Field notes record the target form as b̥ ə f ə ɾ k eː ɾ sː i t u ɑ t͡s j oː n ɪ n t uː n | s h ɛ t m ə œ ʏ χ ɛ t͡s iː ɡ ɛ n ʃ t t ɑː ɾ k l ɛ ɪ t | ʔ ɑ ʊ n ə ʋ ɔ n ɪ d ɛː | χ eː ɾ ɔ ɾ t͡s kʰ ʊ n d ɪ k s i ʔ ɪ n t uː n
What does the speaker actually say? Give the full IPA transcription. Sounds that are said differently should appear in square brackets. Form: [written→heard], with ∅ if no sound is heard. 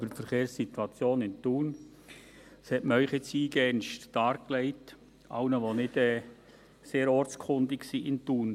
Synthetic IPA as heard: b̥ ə f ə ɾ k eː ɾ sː i t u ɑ t͡s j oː n ɪ n t uː n | s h ɛ t m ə œ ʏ χ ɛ t͡s iː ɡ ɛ n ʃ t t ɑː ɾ k l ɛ ɪ t | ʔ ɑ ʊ n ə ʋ [ɔ→o] n ɪ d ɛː | [χ→s] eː ɾ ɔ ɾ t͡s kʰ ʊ n d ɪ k s i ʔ ɪ n t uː n